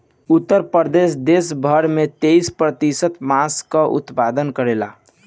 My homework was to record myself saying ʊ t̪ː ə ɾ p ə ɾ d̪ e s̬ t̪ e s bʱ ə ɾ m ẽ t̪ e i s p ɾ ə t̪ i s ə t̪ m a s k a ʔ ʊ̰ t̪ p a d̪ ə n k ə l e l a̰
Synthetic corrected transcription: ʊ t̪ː ə ɾ p ə ɾ d̪ e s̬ d̪ e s bʱ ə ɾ m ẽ t̪ e i s p ɾ ə t̪ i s ə t̪ m a s k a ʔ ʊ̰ t̪ p a d̪ ə n k ə ɾ e l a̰